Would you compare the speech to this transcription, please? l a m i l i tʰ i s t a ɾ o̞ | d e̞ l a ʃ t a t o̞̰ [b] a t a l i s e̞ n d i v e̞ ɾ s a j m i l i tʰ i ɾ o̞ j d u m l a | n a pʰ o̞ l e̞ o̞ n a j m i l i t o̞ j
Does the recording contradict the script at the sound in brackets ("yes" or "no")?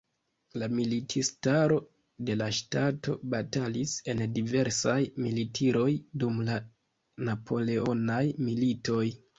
no